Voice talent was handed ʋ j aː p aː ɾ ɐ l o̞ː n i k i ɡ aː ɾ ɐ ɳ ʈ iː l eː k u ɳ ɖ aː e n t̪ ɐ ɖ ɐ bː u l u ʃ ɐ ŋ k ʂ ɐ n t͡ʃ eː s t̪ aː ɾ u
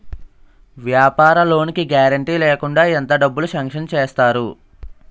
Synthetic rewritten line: ʋ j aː p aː ɾ ɐ l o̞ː n i k i ɡ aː ɾ ɐ ɳ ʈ iː l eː k u ɳ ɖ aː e n t̪ ɐ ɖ ɐ bː u l u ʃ ɐ ŋ k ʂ ɐ n t͡ʃ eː s t̪ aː ɾ u